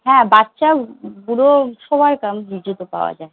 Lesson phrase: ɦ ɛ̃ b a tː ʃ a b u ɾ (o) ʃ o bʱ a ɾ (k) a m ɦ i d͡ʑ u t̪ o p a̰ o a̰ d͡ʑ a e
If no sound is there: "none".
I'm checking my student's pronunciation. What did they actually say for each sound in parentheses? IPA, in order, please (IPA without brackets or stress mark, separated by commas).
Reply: o, k